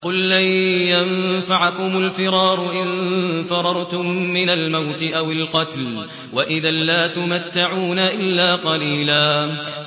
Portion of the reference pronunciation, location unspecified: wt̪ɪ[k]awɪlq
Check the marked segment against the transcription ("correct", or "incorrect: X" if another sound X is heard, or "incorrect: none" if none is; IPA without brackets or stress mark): incorrect: ʔ